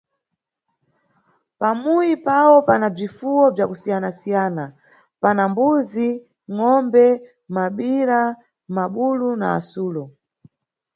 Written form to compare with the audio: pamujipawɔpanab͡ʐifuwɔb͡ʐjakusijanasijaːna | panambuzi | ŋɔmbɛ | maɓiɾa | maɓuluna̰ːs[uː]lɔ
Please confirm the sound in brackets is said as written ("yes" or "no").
yes